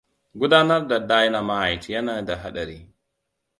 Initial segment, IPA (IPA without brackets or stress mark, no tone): ɡ